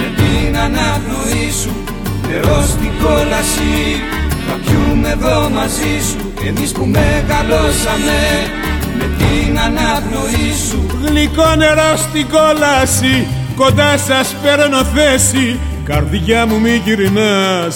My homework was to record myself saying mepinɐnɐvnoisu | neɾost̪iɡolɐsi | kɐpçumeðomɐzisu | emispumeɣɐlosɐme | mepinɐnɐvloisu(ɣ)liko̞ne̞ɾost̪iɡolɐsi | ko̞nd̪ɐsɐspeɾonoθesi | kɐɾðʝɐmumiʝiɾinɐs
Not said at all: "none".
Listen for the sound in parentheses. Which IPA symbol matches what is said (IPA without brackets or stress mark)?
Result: ɣ